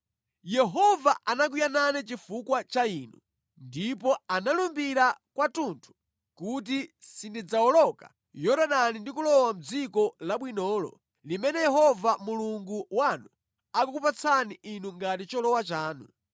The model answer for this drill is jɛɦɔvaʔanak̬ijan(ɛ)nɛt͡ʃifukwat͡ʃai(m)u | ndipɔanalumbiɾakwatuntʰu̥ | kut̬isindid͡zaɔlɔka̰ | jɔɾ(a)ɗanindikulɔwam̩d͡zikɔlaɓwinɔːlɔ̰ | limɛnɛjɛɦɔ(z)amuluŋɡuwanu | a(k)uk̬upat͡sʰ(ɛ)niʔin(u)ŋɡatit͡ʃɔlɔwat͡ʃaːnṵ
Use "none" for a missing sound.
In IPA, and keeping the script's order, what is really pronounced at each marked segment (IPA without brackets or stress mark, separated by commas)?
a, n, a, v, k, a, u